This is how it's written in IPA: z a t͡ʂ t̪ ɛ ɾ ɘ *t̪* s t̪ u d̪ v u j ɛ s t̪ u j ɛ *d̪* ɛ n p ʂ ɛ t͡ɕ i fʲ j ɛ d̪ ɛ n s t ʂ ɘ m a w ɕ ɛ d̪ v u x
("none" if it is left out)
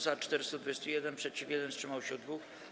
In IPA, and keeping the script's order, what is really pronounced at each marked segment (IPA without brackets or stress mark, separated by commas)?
none, d̪